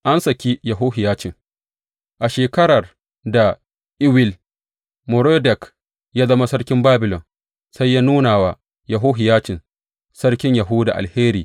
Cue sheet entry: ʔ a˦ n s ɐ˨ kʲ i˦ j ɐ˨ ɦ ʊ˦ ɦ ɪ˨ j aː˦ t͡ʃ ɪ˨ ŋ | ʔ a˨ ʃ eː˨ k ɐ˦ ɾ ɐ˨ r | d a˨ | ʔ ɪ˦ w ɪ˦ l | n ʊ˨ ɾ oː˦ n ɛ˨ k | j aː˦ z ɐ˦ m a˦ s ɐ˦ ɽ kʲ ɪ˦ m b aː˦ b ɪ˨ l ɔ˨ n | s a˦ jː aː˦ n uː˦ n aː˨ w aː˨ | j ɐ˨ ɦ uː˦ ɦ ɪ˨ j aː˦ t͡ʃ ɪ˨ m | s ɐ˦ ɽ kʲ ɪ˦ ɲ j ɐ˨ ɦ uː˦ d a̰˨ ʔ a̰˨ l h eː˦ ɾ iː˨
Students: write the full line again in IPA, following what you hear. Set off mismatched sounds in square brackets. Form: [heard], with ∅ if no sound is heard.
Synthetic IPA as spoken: ʔ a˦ n s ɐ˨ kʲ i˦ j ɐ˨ ɦ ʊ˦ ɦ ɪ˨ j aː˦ t͡ʃ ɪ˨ ŋ | ʔ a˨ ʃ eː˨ k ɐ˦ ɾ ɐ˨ r | d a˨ | ʔ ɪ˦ w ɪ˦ l | [m] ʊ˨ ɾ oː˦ [d] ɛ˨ k | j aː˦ z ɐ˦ m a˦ s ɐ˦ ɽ kʲ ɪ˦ m b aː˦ b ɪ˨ l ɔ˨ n | s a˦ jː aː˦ n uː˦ n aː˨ w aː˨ | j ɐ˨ ɦ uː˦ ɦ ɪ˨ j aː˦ t͡ʃ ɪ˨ [n] | s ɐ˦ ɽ kʲ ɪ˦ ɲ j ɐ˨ ɦ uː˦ d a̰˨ ʔ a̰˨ l h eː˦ ɾ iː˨